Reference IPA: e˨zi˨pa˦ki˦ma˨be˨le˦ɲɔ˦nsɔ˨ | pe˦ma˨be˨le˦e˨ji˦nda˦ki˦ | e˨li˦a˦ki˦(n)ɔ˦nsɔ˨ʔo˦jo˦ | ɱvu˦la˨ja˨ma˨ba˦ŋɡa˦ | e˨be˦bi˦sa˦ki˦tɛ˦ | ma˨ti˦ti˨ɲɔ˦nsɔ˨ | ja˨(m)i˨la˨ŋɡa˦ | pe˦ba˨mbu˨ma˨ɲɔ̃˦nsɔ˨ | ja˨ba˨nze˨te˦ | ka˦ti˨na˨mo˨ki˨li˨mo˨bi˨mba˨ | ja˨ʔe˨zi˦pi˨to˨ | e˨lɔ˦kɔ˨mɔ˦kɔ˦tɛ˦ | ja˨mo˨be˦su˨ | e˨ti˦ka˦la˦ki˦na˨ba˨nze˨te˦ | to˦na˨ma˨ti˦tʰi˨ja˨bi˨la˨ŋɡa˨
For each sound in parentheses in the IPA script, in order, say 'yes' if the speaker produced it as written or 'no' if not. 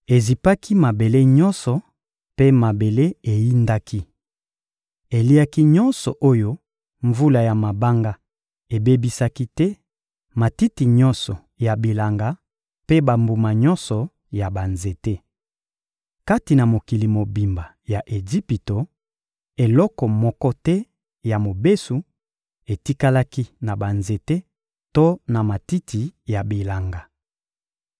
no, no

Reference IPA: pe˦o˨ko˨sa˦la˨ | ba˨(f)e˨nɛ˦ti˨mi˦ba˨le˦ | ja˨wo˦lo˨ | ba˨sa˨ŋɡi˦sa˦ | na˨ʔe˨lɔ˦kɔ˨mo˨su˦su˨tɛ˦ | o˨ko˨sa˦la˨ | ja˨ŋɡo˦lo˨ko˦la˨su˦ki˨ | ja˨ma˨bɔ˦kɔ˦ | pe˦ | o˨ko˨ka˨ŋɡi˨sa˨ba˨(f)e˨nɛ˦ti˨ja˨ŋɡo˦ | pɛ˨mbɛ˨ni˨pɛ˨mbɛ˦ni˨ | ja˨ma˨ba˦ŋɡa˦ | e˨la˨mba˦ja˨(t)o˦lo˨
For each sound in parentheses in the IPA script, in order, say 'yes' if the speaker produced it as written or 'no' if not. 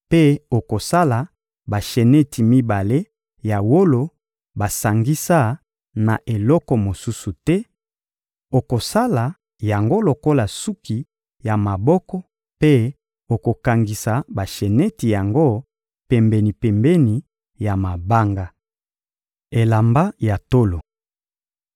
no, no, yes

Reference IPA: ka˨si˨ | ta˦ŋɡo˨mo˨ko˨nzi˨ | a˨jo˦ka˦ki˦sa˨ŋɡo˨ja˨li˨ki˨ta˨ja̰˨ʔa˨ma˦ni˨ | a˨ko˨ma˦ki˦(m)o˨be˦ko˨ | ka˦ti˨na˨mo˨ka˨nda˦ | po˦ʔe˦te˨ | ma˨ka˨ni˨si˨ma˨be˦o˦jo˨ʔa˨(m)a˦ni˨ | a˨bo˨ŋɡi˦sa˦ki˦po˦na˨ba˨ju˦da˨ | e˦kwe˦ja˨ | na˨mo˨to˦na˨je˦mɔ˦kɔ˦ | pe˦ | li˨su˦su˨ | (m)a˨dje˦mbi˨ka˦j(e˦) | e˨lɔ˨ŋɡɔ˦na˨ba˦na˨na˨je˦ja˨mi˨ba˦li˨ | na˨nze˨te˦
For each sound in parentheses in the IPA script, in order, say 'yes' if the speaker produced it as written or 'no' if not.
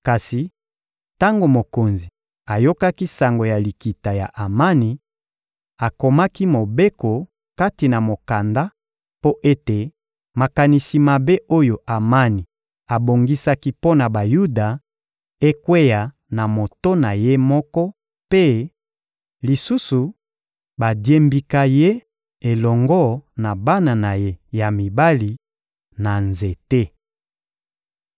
yes, yes, no, yes

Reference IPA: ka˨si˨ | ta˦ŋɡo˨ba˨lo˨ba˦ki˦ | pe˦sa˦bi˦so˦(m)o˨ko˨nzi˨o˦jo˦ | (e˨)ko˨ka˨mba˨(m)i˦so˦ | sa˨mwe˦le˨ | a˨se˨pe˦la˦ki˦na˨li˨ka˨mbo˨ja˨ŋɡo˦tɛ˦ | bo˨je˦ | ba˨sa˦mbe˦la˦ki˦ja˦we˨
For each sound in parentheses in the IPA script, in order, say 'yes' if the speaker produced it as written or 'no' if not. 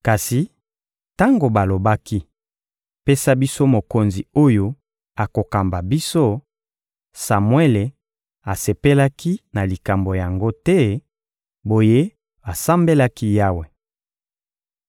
yes, no, no

